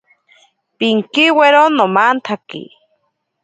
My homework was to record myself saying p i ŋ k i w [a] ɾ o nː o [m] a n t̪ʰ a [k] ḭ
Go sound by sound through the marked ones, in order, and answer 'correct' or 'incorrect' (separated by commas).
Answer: incorrect, correct, correct